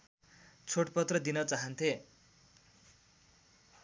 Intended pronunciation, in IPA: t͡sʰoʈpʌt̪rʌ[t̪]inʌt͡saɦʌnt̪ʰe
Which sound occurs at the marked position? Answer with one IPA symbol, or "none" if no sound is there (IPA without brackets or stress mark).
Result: d̪